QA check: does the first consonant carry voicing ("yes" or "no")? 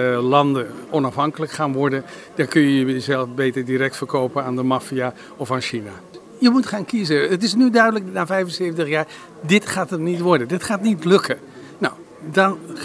yes